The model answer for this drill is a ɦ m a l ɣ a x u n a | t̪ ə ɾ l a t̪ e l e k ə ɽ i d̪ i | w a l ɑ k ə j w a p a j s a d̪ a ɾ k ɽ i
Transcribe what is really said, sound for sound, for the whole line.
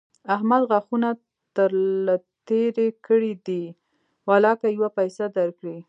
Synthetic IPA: a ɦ m a l ɣ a x u n a | t̪ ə ɾ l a t̪ e ɾ e k ə ɽ i d̪ i | w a l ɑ k a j w a p a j s a d̪ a ɾ k ɽ i